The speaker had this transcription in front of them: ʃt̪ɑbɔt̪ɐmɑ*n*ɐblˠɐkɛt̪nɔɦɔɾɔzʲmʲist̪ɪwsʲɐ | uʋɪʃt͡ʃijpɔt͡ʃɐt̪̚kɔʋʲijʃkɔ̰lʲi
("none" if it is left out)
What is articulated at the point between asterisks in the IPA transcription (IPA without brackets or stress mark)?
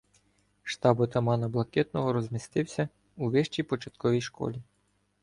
n